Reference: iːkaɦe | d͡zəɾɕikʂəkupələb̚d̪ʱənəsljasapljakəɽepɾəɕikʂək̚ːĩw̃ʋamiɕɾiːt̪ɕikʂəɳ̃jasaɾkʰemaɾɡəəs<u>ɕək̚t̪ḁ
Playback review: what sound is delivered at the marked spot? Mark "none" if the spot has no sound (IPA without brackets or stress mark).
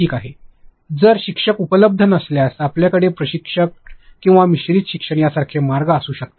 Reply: uː